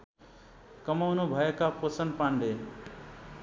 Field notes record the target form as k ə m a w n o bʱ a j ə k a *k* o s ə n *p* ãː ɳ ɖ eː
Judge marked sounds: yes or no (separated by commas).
no, yes